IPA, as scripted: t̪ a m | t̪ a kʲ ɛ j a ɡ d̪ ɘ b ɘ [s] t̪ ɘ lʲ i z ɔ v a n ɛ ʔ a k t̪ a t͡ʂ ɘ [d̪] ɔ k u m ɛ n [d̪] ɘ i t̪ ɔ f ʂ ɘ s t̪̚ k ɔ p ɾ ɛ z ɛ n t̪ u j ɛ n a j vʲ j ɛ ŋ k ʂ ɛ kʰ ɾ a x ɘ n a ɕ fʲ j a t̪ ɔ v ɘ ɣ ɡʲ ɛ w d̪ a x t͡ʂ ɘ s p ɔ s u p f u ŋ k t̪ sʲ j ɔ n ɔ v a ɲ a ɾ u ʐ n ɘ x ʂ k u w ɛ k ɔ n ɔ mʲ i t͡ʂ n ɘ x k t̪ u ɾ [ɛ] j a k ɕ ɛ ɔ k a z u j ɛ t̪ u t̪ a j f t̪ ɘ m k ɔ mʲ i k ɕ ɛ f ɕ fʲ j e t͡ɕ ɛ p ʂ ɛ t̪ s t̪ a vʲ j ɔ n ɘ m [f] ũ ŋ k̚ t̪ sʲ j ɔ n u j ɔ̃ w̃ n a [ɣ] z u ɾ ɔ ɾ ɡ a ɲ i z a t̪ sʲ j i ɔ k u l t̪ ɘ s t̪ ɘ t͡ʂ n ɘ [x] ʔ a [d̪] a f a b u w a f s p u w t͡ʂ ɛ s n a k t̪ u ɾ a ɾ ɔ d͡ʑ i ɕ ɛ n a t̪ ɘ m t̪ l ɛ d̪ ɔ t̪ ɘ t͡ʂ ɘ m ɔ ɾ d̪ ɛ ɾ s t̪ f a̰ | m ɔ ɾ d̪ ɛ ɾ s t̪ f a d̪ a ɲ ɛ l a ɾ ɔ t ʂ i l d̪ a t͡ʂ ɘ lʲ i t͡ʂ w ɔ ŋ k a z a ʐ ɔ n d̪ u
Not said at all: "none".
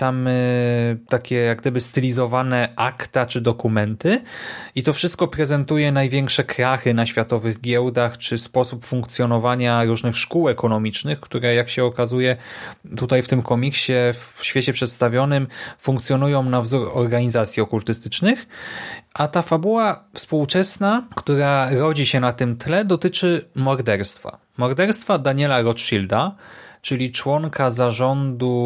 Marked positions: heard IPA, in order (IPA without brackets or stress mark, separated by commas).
s, d̪, t̪, ɛ, f, v, x, t̪